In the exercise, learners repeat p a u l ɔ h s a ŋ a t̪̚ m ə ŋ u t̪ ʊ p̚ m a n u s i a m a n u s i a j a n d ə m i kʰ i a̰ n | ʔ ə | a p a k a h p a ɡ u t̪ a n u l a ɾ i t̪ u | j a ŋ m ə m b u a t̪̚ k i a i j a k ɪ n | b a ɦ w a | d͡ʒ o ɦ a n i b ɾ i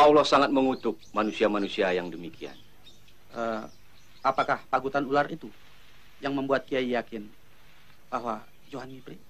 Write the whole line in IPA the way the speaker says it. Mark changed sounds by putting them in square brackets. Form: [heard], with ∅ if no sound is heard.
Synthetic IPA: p a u l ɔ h s a ŋ a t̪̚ m ə ŋ u t̪ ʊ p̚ m a n u s i a m a n u s i a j a [ŋ] d ə m i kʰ i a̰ n | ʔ ə | a p a k a h p a ɡ u t̪ a n u l a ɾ i t̪ u | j a ŋ m ə m b u a t̪̚ k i a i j a k ɪ n | b a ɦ w a | d͡ʒ o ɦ a n i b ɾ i